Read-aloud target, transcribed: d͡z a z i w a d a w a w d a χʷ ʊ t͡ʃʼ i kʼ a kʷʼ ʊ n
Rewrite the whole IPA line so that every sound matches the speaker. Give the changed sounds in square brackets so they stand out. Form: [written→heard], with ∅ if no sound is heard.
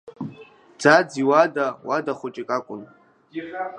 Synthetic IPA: d͡z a [z→d͡z] i w a d a w a [w→∅] d a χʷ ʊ t͡ʃʼ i kʼ a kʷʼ ʊ n

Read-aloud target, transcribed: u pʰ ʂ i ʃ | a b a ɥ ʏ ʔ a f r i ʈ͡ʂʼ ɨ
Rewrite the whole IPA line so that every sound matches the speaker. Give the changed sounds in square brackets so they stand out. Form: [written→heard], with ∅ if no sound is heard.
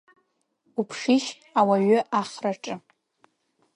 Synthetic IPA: u pʰ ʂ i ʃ | a [b→w] a ɥ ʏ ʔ a [f→χ] r [i→a] ʈ͡ʂʼ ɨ

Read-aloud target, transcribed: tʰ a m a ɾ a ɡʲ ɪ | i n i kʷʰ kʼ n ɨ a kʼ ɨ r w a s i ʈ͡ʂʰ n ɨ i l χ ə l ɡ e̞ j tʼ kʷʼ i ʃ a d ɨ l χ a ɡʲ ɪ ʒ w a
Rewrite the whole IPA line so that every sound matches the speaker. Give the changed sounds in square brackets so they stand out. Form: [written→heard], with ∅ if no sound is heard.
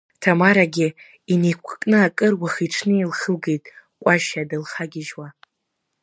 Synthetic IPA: tʰ a m a ɾ a ɡʲ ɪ | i n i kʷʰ kʼ n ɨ a kʼ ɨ r w a [s→χ] i ʈ͡ʂʰ n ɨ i l χ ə l ɡ e̞ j tʼ kʷʼ [i→a] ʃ a d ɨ l χ a ɡʲ ɪ ʒ w a

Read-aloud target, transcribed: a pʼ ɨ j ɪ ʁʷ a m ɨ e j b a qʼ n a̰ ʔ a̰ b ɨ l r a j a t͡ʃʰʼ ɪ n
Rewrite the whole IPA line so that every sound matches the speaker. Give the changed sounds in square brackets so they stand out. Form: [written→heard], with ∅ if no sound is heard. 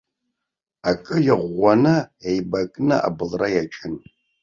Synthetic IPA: a [pʼ→kʼ] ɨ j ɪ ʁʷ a [m→n] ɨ e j b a [qʼ→kʼ] n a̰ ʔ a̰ b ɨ l r a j a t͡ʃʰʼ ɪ n

